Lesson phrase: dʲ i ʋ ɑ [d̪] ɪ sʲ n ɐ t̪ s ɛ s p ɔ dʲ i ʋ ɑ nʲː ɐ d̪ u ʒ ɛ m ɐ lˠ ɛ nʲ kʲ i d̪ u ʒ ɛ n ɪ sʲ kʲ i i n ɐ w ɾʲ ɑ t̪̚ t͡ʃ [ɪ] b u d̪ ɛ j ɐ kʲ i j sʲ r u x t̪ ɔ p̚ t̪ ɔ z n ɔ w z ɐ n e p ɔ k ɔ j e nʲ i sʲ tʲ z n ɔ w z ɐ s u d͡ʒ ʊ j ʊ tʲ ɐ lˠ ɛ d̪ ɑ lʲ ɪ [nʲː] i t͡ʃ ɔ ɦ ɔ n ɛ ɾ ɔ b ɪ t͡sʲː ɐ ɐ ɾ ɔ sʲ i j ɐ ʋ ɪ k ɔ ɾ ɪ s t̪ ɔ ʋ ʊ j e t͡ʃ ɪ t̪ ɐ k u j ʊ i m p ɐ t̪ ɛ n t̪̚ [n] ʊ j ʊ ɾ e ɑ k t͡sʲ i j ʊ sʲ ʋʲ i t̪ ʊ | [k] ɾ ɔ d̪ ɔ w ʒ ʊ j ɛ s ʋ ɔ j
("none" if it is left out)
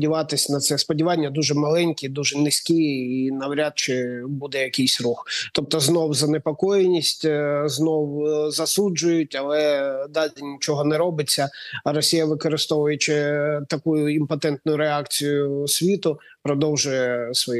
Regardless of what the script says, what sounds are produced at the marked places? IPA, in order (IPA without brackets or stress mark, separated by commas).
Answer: t̪, ɪ, nʲ, n, p